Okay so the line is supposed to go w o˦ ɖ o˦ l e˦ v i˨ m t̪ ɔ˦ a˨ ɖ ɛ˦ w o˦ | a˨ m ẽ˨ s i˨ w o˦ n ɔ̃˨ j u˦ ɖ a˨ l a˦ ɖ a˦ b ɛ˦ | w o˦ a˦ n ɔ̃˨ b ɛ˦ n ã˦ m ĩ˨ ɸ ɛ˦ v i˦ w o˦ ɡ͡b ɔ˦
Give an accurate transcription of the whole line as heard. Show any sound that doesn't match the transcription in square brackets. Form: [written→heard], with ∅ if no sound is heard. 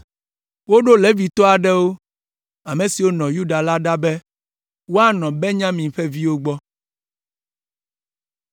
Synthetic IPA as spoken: w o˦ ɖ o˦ l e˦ v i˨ [m→∅] t̪ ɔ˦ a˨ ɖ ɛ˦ w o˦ | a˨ m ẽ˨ s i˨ w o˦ n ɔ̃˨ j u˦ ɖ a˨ l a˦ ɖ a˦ b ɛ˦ | w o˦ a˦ n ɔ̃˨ b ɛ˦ [n→ɲ] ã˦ m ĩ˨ ɸ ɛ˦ v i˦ w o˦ ɡ͡b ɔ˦